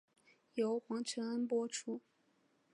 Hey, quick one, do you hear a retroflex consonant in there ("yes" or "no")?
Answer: yes